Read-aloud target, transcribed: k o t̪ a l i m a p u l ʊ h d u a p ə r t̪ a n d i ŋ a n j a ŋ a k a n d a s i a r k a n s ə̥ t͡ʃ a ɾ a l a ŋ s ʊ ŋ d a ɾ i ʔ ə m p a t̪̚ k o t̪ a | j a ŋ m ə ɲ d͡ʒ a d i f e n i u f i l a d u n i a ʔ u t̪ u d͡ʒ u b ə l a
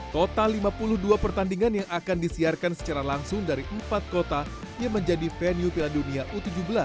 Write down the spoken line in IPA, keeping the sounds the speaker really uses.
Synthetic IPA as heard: k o t̪ a l i m a p u l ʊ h d u a p ə r t̪ a n d i ŋ a n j a ŋ a k a n d i s i a r k a n s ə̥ t͡ʃ a ɾ a l a ŋ s ʊ ŋ d a ɾ i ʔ ə m p a t̪̚ k o t̪ a | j a ŋ m ə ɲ d͡ʒ a d i f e n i u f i l a d u n i a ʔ u t̪ u d͡ʒ u b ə l a